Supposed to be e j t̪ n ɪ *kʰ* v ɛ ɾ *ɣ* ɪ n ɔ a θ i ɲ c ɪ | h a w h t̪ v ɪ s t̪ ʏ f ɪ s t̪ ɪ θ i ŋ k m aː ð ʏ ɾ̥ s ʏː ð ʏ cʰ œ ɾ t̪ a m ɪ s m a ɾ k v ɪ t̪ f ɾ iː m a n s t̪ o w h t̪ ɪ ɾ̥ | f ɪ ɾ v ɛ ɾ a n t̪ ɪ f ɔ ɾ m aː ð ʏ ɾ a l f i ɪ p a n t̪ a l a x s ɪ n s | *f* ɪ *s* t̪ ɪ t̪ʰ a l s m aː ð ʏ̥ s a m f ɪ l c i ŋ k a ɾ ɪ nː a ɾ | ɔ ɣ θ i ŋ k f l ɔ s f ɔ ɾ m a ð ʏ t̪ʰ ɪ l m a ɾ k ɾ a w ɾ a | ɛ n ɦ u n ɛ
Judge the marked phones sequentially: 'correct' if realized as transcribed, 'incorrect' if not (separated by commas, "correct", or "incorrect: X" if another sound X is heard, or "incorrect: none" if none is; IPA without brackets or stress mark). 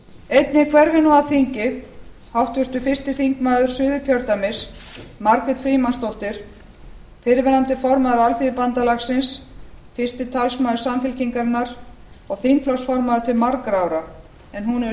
correct, correct, correct, correct